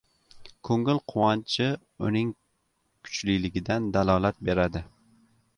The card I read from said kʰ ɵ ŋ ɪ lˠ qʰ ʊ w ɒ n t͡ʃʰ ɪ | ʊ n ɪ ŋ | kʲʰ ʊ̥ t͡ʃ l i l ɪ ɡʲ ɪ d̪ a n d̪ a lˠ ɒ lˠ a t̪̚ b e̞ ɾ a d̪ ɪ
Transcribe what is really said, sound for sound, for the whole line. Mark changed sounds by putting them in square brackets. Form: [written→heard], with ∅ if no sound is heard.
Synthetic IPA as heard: kʰ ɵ ŋ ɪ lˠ qʰ ʊ w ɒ n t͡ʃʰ ɪ | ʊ n ɪ ŋ | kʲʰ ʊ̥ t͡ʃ l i l ɪ ɡʲ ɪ d̪ a n d̪ a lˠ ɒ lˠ a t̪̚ b e̞ ɾ a d̪ ɪ